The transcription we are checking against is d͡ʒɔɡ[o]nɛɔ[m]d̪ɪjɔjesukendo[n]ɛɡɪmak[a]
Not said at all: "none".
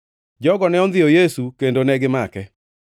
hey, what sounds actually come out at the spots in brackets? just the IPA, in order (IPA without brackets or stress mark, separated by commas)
ɔ, n, n, ɛ